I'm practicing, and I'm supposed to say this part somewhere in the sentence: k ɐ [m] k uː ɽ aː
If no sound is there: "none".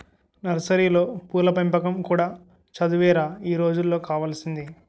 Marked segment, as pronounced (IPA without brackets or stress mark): m